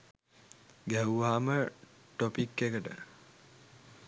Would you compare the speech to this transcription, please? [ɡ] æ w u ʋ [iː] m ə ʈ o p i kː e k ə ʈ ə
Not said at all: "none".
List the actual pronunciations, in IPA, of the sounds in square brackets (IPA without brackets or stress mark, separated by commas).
ɡ, aː